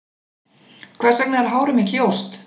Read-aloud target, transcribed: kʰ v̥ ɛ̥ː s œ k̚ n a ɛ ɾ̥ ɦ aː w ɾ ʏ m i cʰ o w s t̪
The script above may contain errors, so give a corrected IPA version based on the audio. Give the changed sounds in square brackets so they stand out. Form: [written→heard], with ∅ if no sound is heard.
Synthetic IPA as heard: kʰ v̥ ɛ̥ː s [œ→ɛ] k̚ n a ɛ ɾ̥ ɦ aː w ɾ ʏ m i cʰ o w s t̪